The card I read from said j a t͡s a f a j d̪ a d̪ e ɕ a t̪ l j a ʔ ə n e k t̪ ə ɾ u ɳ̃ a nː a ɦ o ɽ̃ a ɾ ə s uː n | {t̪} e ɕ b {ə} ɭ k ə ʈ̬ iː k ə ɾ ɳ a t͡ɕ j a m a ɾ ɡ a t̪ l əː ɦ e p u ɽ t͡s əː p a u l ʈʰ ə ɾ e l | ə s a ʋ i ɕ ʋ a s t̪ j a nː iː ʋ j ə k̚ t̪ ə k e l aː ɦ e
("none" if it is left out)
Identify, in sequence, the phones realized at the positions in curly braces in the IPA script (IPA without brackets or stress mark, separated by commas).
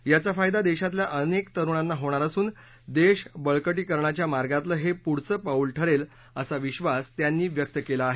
d̪, ə